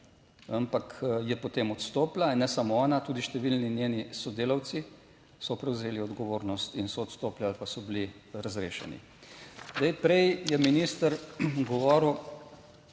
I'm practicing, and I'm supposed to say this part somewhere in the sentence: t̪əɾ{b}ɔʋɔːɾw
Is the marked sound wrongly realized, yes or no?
yes